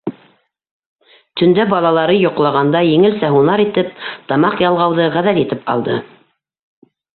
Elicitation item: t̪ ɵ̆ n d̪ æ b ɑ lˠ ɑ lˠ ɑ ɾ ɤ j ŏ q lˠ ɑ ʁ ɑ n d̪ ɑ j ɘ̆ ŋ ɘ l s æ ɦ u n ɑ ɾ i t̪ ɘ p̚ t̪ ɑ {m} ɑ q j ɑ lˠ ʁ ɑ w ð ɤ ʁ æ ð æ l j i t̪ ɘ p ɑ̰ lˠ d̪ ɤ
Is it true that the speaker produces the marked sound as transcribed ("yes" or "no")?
yes